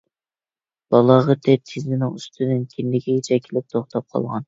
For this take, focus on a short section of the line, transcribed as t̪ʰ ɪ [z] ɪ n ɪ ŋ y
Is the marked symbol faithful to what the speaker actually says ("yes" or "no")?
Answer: yes